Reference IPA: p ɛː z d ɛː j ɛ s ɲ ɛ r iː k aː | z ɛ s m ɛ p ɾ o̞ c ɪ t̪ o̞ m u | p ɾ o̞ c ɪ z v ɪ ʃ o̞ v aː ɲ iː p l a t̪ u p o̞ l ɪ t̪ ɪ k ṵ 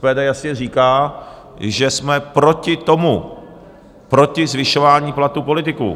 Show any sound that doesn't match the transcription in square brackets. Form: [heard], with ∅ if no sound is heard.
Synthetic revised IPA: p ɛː [∅] d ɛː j [a] s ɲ ɛ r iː k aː | [ʒ] ɛ s m ɛ p ɾ o̞ c ɪ t̪ o̞ m u | p ɾ o̞ c ɪ z v ɪ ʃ o̞ v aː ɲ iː p l a t̪ u p o̞ l ɪ t̪ ɪ k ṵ

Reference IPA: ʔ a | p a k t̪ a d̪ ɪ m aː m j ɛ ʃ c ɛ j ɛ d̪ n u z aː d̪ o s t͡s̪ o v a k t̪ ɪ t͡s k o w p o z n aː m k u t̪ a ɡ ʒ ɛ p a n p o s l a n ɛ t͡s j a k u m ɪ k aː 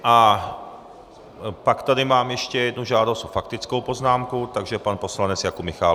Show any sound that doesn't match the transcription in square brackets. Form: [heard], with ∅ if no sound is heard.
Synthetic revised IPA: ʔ a | p a k t̪ a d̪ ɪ m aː m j ɛ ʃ c ɛ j ɛ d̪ n u [ʒ] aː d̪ o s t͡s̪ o [f] a k t̪ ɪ t͡s k o w p o z n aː m k u t̪ a ɡ ʒ ɛ p a n p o s l a n ɛ t͡s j a k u m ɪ [x] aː

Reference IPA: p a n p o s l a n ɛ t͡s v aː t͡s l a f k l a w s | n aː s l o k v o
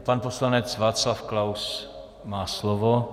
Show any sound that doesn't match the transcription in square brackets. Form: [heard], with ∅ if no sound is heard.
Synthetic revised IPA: p a n p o s l a n ɛ t͡s v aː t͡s l a f k l a w s | [m] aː s l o [∅] v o

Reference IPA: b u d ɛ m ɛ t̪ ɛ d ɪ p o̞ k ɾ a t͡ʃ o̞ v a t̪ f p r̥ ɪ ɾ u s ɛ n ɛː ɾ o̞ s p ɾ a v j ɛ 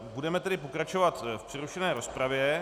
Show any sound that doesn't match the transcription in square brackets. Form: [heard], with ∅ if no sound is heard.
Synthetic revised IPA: b u d ɛ m ɛ t̪ ɛ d ɪ p o̞ k ɾ a t͡ʃ o̞ v a t̪ f p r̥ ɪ ɾ u [ʃ] ɛ n ɛː ɾ o̞ s p ɾ a v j ɛ

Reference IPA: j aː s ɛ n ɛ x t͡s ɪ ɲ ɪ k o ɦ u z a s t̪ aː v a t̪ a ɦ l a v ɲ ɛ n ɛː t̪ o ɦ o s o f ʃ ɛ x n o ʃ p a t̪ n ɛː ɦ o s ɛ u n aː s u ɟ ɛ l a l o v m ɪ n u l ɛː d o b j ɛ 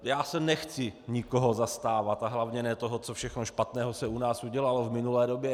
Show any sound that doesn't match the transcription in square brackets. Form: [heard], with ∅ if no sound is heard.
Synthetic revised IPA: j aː s ɛ n ɛ x t͡s ɪ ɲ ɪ k o ɦ [o] z a s t̪ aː v a t̪ a ɦ l a v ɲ ɛ n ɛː t̪ o ɦ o [t͡s] o f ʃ ɛ x n o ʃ p a t̪ n ɛː ɦ o s ɛ u n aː s u ɟ ɛ l a l o v m ɪ n u l ɛː d o b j ɛ

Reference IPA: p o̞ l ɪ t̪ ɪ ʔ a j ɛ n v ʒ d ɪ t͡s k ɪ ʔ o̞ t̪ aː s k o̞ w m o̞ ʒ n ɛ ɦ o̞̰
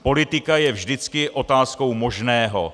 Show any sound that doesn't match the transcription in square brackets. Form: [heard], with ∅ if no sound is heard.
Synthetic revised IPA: p o̞ l ɪ t̪ ɪ [k] a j ɛ [∅] v ʒ d ɪ t͡s k ɪ ʔ o̞ t̪ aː s k o̞ w m o̞ ʒ n [ɛː] ɦ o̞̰

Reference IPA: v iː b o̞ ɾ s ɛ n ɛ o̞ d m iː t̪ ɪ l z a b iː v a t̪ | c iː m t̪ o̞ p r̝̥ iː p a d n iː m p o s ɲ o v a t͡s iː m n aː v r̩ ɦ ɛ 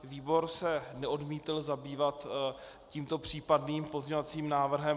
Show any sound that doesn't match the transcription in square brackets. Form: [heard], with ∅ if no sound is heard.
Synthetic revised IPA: v iː b o̞ ɾ s ɛ n ɛ o̞ d m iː t̪ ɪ l z a b iː v a t̪ | c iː m t̪ o̞ p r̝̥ iː p a d n iː m p o [z] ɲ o v a t͡s iː m n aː v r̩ ɦ ɛ

